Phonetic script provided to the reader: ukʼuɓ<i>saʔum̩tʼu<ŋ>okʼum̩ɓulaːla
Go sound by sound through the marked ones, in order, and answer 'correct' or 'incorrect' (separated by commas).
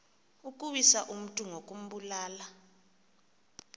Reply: correct, correct